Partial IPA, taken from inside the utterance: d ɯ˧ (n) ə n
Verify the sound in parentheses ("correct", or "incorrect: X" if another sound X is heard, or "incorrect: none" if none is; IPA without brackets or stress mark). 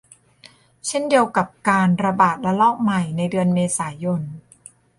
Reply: incorrect: none